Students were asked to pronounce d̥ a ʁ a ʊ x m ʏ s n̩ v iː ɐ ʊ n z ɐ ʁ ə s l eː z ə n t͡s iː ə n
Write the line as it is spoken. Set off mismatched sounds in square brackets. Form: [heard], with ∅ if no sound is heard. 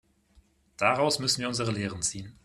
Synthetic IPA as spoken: d̥ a ʁ a ʊ [s] m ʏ s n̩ v iː ɐ ʊ n z [ə] ʁ ə [∅] l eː [ʁ] ə n t͡s iː ə n